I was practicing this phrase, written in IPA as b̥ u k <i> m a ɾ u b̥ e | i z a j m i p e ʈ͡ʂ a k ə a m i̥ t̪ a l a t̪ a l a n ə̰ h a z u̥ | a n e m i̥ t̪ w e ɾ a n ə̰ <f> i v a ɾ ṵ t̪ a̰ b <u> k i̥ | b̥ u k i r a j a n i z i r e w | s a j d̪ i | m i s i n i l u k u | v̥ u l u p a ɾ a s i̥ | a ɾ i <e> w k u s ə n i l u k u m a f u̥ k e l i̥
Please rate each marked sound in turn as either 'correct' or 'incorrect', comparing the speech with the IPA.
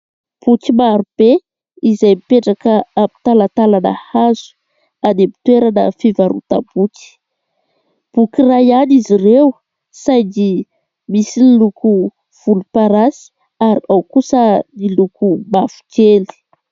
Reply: correct, correct, correct, incorrect: a

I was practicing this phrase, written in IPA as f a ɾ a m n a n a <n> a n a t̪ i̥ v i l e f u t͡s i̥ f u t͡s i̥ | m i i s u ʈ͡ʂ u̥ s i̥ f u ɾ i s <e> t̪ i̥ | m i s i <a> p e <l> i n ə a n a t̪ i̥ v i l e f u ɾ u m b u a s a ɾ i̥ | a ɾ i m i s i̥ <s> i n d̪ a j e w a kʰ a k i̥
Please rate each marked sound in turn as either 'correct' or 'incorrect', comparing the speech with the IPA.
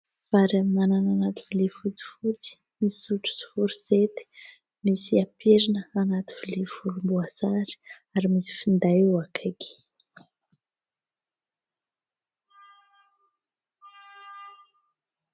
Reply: correct, correct, correct, incorrect: ɾ, incorrect: f

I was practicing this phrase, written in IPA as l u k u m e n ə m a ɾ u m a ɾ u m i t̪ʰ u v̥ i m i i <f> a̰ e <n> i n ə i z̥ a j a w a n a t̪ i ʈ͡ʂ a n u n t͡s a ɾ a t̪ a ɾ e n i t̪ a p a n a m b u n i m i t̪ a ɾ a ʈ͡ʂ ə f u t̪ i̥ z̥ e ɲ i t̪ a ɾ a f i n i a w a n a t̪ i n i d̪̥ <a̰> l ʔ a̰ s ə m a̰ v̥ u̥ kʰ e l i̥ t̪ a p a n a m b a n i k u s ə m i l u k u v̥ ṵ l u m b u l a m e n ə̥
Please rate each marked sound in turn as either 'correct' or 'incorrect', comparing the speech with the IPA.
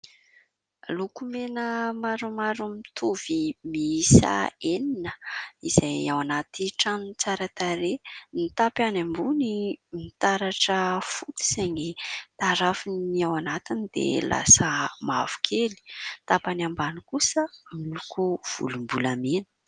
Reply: incorrect: s, correct, incorrect: ḛ

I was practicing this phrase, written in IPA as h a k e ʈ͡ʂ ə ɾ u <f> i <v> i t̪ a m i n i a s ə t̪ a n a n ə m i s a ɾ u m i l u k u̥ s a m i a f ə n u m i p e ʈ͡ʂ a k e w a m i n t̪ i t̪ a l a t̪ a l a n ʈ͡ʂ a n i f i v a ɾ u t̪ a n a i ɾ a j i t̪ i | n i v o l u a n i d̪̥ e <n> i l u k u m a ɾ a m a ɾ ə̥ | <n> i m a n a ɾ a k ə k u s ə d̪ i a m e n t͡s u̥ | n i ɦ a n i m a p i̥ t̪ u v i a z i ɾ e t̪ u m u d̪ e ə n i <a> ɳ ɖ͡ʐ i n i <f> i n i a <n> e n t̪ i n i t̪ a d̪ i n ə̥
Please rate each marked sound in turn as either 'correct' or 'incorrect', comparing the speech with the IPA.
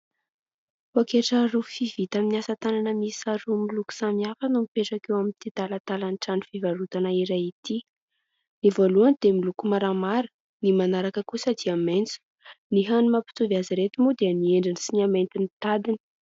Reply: correct, correct, incorrect: m, correct, incorrect: e, incorrect: s, incorrect: m

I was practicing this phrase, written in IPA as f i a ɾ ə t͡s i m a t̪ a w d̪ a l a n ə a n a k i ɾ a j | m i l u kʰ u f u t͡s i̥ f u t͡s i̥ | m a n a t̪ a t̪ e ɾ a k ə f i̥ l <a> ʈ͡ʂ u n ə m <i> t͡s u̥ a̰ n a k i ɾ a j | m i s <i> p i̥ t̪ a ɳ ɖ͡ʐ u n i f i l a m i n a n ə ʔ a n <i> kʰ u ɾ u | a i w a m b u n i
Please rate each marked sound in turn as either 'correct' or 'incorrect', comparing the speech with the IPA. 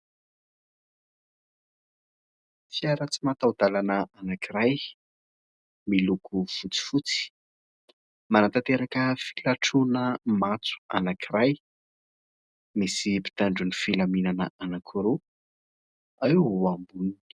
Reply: correct, incorrect: a, correct, incorrect: a

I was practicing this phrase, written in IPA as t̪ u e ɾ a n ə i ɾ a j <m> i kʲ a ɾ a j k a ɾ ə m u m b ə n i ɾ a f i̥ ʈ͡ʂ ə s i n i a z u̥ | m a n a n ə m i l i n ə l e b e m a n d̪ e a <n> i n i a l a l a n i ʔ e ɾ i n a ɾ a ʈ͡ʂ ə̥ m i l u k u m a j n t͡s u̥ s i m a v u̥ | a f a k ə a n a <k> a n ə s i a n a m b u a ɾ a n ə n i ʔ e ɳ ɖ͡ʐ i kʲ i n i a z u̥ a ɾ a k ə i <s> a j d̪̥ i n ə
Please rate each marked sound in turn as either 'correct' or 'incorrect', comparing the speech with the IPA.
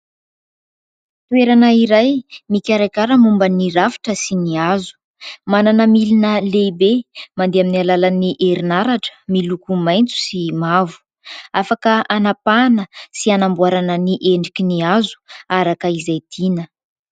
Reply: correct, incorrect: m, incorrect: p, incorrect: z

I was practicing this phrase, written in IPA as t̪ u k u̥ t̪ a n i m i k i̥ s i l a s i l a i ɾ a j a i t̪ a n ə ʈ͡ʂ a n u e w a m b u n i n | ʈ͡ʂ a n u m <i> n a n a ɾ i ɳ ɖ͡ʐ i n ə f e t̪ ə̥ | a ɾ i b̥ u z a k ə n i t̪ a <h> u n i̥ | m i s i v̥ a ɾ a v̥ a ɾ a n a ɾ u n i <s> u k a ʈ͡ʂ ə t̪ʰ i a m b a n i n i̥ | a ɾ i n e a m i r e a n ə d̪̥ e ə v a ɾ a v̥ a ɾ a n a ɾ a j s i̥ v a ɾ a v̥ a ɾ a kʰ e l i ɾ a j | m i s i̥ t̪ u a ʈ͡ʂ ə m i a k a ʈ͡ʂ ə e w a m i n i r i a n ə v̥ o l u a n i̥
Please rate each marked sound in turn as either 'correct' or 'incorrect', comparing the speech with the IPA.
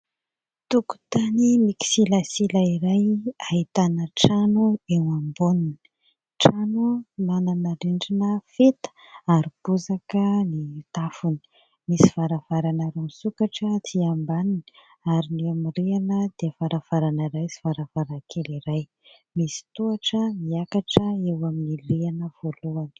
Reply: incorrect: a, incorrect: f, correct

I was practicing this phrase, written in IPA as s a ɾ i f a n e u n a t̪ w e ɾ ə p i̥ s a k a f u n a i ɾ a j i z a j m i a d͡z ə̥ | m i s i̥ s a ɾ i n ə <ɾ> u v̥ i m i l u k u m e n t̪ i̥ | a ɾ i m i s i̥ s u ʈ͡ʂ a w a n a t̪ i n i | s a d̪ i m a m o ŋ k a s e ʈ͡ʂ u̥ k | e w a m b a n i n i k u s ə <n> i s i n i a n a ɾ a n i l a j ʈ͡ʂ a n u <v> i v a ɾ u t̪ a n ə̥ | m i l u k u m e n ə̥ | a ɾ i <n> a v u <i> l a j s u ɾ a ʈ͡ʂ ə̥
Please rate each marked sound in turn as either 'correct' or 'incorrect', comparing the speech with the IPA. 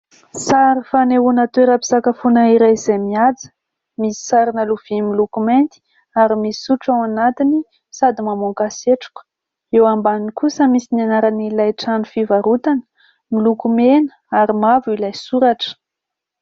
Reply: incorrect: l, incorrect: m, incorrect: f, incorrect: m, correct

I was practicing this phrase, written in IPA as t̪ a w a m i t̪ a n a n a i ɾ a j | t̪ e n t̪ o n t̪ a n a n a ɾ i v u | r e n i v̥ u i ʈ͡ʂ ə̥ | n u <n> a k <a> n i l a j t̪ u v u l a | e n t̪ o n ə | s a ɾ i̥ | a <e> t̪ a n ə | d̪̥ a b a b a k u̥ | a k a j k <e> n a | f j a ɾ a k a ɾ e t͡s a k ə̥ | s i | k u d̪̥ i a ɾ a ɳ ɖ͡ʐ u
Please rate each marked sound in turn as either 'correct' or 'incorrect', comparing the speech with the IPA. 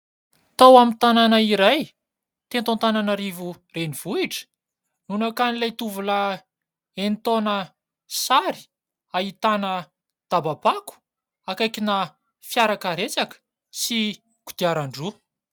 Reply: correct, correct, incorrect: i, incorrect: i

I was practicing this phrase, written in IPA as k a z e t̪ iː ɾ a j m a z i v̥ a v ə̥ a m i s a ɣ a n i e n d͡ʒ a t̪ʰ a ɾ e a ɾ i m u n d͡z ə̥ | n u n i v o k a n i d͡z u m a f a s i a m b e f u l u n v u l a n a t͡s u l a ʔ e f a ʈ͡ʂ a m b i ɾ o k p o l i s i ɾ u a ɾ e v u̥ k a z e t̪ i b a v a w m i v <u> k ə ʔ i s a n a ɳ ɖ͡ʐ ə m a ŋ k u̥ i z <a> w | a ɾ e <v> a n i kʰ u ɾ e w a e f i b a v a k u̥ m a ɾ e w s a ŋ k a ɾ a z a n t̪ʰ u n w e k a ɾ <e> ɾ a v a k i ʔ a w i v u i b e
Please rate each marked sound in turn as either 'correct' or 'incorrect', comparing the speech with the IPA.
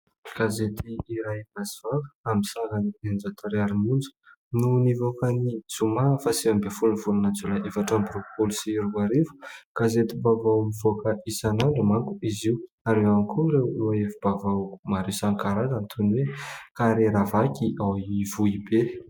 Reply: incorrect: o, incorrect: i, incorrect: w, correct

